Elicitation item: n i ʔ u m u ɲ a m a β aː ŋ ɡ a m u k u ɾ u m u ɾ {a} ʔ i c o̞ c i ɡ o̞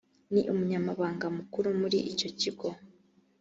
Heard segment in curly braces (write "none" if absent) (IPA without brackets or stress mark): i